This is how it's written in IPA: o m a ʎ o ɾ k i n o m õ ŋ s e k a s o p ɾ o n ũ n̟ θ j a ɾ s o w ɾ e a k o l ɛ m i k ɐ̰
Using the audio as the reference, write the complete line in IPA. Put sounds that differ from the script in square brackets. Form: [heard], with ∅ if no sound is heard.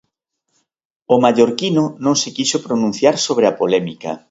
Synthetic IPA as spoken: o m a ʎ o ɾ k i n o [n] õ ŋ s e k [i] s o p ɾ o n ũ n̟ θ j a ɾ s o [β] ɾ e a [p] o l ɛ m i k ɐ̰